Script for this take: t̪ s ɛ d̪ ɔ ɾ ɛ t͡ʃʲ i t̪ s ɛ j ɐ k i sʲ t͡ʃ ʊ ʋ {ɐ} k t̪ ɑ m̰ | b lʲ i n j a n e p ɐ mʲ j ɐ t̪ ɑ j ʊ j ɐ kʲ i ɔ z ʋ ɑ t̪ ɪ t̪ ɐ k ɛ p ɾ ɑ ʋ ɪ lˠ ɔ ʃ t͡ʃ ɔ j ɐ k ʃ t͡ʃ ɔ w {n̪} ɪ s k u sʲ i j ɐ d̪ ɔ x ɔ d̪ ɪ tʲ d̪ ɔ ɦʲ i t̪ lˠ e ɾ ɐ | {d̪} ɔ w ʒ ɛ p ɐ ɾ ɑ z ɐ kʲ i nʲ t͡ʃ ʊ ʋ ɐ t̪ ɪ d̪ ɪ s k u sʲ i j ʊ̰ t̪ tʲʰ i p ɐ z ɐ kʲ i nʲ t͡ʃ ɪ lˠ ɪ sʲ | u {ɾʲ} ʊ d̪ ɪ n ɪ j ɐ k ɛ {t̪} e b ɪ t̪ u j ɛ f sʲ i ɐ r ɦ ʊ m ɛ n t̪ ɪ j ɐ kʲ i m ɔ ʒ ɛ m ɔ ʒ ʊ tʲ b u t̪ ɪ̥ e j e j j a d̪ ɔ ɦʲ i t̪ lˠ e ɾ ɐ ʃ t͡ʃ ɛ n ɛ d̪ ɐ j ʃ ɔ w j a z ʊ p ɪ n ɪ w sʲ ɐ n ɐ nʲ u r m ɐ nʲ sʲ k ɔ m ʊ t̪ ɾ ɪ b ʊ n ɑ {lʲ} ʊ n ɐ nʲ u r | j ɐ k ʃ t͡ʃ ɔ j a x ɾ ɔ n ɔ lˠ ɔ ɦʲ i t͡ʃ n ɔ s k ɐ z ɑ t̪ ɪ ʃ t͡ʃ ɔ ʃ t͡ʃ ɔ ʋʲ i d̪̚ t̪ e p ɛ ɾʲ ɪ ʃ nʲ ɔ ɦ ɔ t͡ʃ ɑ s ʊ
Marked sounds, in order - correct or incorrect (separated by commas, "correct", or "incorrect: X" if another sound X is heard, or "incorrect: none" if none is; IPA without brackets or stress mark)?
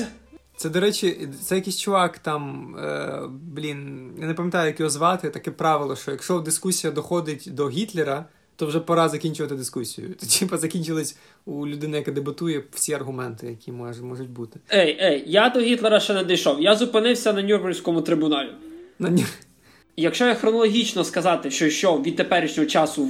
incorrect: ɑ, incorrect: d̪, incorrect: t̪, incorrect: lʲ, incorrect: d̪, correct